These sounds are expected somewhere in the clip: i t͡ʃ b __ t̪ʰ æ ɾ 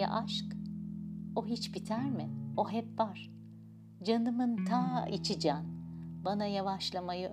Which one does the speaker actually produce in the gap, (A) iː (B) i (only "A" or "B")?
B